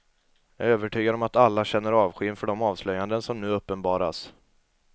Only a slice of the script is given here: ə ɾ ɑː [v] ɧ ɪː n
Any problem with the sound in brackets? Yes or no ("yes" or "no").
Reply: no